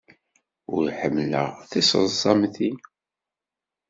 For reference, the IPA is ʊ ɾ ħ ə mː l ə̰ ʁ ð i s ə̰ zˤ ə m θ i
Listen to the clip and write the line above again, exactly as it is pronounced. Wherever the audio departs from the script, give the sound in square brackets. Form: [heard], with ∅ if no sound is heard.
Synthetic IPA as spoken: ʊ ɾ ħ ə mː l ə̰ ʁ [θ] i s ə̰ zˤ [ɑ] m θ i